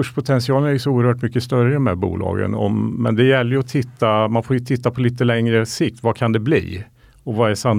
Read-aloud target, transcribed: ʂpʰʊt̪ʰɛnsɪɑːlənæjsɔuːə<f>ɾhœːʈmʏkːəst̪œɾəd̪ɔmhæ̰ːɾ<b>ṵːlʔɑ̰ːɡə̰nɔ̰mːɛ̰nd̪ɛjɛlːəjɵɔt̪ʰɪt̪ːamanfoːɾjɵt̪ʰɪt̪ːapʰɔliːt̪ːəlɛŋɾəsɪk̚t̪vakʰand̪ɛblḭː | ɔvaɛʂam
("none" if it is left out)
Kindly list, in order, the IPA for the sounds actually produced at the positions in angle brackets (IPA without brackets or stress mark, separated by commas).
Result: none, b